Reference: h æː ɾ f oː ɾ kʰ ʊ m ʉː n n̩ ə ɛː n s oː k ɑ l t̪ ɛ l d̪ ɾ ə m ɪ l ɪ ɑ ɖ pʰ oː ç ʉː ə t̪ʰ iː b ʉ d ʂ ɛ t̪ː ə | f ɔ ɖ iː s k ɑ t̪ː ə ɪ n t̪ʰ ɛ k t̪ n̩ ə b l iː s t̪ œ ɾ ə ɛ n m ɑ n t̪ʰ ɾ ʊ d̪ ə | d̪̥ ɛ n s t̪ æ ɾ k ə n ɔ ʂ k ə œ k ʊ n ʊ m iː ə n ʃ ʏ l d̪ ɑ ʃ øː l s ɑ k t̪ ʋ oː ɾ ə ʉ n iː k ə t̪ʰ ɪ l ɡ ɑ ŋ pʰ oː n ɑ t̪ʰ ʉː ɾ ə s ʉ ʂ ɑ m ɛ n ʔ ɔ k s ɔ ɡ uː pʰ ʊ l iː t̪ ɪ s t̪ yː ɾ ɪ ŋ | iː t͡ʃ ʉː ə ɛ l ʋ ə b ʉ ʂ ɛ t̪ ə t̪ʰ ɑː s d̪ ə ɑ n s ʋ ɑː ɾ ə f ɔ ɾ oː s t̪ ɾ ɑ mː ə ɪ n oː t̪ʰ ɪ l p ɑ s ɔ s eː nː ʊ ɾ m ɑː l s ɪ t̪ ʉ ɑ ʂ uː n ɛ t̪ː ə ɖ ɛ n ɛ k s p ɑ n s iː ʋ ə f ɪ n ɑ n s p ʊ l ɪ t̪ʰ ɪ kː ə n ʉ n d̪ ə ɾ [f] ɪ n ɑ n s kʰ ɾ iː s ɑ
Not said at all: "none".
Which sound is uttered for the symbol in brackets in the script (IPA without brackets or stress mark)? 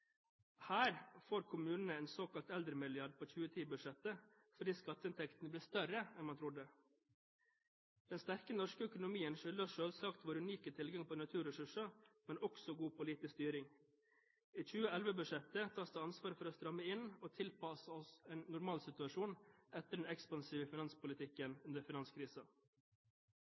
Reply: f